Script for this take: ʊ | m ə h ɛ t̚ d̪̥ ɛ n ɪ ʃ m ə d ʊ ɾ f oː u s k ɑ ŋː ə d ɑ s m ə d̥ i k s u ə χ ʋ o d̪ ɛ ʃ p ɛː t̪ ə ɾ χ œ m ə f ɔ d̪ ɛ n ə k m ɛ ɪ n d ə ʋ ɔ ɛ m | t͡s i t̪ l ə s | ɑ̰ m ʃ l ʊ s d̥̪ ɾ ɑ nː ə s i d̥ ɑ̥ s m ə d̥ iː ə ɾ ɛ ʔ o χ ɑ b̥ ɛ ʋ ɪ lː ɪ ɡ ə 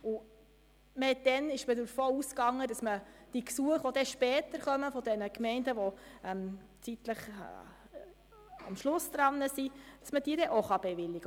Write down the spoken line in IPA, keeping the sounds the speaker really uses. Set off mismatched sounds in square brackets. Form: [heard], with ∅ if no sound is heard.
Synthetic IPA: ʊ | m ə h ɛ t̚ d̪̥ ɛ n ɪ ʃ m ə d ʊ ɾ f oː u s k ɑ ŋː ə d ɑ s m ə d̥ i k s u ə χ ʋ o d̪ ɛ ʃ p ɛː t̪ ə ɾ χ œ m ə f ɔ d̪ ɛ n ə k m ɛ ɪ n d ə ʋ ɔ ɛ m | t͡s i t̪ l ə [χ] | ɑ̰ m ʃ l ʊ s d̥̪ ɾ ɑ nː ə s i d̥ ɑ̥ s m ə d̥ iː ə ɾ ɛ ʔ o χ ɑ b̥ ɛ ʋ ɪ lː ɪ ɡ ə